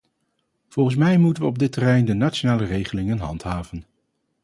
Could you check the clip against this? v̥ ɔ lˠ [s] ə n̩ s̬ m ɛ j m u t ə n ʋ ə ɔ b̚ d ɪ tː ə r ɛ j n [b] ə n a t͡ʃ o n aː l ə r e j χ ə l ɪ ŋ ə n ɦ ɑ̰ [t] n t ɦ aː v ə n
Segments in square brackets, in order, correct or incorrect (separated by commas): incorrect, incorrect, incorrect